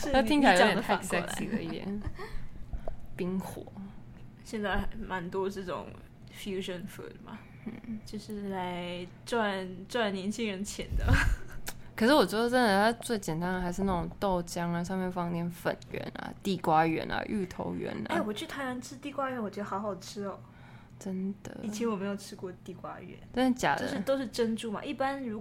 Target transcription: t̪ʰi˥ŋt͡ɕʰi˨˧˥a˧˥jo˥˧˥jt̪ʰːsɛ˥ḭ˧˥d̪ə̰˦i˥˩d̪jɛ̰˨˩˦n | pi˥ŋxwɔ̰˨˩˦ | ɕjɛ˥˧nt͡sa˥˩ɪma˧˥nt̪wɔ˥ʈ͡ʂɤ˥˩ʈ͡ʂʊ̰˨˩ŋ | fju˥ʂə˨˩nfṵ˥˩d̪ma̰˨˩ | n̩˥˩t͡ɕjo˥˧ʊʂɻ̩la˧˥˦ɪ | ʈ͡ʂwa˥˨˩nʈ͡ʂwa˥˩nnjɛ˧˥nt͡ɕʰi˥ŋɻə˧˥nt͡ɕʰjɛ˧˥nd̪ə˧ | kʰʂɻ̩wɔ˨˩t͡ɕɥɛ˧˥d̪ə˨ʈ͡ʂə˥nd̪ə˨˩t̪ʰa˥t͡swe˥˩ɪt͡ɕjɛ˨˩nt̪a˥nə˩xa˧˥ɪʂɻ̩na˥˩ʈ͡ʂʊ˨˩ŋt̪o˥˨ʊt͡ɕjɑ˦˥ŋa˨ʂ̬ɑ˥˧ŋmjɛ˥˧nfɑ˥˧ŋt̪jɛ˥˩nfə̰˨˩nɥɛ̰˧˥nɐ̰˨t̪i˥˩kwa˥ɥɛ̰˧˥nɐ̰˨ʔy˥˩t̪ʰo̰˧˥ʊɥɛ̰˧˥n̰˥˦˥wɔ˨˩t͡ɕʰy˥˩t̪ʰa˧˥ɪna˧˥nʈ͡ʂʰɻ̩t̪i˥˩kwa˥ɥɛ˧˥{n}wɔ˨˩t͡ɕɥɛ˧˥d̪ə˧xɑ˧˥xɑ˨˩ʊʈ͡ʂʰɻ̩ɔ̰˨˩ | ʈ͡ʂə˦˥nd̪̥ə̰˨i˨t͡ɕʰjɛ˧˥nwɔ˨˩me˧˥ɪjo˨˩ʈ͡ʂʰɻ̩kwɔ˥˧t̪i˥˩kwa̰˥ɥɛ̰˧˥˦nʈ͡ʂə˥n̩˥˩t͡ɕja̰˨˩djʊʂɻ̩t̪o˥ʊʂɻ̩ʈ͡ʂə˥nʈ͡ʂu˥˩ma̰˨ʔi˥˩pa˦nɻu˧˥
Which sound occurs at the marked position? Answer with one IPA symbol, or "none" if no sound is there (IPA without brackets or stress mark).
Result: n